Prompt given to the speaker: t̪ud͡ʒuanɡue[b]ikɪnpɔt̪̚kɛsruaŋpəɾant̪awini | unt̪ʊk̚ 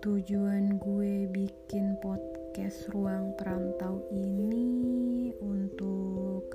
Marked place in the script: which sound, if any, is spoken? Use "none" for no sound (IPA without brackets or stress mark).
b